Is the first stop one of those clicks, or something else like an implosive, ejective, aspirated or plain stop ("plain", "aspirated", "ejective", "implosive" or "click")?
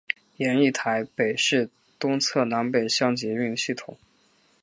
aspirated